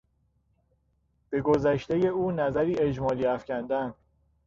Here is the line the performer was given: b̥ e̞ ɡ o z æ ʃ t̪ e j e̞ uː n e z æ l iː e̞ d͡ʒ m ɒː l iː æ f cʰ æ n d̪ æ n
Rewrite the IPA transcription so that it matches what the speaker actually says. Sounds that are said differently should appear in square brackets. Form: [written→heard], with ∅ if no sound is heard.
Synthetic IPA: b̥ e̞ ɡ o z æ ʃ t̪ e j e̞ uː n [e→æ] z æ [l→ɾ] iː e̞ d͡ʒ m ɒː l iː æ f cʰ æ n d̪ æ n